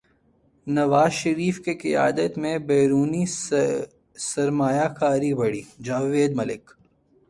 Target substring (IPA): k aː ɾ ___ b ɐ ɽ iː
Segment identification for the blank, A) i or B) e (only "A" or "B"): A